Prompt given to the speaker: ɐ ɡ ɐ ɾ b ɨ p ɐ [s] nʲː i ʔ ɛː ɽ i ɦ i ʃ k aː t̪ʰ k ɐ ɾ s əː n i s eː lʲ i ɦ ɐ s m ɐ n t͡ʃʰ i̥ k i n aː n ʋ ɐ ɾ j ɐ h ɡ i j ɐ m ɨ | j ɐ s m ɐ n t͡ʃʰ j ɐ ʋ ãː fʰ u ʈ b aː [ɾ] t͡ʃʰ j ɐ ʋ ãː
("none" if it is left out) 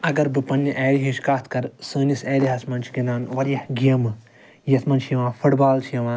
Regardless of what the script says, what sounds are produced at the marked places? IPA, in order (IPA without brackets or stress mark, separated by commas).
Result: none, l